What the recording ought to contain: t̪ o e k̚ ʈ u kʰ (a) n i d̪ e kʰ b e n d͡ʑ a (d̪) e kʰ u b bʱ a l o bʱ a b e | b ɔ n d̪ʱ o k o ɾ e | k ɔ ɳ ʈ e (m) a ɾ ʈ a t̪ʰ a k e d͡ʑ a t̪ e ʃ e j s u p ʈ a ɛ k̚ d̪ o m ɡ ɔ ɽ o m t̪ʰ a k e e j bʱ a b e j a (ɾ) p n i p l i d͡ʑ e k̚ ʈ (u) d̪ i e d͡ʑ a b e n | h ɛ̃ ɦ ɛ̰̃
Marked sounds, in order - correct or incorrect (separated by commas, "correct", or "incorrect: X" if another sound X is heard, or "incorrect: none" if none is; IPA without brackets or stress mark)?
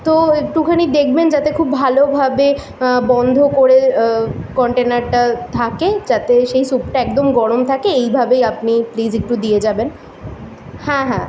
correct, incorrect: t̪, incorrect: n, incorrect: none, correct